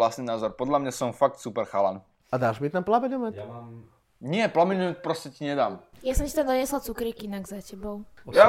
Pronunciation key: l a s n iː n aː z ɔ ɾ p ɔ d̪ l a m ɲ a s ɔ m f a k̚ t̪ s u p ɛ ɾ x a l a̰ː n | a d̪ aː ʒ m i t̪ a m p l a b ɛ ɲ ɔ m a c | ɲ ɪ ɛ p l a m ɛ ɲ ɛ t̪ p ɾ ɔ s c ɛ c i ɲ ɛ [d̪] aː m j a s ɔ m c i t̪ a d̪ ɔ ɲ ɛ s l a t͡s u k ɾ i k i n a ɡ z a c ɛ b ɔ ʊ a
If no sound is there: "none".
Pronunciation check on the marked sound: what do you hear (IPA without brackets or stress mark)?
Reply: d̪